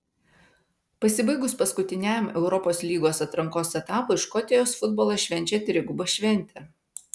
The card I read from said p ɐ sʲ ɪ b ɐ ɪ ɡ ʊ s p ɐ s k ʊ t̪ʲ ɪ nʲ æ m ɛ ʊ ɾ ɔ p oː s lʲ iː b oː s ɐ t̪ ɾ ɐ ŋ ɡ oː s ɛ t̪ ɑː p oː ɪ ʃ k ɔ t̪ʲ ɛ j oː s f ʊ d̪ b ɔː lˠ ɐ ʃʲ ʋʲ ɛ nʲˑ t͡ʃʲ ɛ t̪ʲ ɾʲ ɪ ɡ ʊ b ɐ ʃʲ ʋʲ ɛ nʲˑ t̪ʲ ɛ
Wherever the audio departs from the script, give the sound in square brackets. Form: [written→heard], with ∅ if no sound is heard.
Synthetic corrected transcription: p ɐ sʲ ɪ b ɐ ɪ ɡ ʊ s p ɐ s k ʊ t̪ʲ ɪ nʲ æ m ɛ ʊ ɾ ɔ p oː s lʲ iː [b→ɡ] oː s ɐ t̪ ɾ ɐ ŋ [ɡ→k] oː s ɛ t̪ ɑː p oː ɪ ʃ k ɔ t̪ʲ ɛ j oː s f ʊ d̪ b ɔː lˠ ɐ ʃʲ ʋʲ ɛ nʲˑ t͡ʃʲ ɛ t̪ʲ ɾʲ ɪ ɡ ʊ b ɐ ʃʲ ʋʲ ɛ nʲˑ t̪ʲ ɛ